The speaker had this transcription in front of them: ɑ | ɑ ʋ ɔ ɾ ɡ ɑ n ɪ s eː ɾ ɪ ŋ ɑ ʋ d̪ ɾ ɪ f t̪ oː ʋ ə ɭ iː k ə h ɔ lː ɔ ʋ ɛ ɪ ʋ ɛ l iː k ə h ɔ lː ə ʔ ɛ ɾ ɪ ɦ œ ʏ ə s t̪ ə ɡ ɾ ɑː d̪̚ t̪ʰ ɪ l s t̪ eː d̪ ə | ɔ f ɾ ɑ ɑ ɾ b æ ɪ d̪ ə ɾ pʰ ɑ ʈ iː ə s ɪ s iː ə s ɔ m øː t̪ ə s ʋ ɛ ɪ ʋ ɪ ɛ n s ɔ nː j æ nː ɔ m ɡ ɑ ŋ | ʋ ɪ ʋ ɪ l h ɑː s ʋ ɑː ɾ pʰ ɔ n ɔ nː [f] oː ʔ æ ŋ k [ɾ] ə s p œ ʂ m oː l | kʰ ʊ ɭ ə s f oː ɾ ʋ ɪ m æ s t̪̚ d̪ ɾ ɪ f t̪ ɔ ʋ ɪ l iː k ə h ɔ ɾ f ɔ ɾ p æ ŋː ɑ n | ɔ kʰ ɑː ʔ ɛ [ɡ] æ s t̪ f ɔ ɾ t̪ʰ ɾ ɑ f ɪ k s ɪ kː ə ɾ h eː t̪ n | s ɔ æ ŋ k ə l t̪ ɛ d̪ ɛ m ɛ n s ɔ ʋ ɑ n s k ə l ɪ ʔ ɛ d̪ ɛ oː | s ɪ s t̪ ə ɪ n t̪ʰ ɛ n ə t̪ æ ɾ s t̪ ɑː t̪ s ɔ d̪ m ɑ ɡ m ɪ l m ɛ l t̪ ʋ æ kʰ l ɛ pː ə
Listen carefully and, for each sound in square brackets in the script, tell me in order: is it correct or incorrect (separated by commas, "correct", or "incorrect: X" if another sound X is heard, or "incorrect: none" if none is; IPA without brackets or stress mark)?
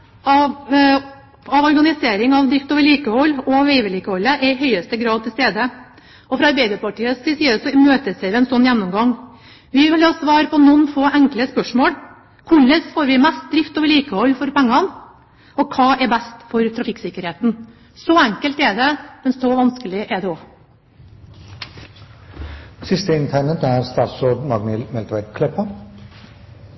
correct, incorrect: l, incorrect: b